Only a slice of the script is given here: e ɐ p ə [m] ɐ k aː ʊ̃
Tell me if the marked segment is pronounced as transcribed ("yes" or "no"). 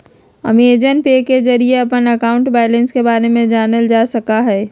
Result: no